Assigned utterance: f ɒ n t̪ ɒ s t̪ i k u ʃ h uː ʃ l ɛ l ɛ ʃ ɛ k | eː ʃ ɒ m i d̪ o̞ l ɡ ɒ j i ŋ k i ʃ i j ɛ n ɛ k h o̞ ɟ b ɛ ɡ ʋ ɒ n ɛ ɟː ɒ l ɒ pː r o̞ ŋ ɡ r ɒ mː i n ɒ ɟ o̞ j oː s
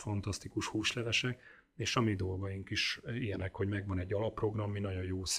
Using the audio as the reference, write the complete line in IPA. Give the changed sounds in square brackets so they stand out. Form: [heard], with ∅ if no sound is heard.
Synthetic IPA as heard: f ɒ n t̪ ɒ s t̪ i k u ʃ h uː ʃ l ɛ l ɛ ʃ ɛ k | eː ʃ ɒ m i d̪ o̞ l ɡ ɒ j i ŋ k i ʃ i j ɛ n ɛ k h o̞ ɟ [m] ɛ ɡ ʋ ɒ n ɛ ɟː ɒ l ɒ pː r o̞ [∅] ɡ r ɒ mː i n ɒ ɟ o̞ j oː s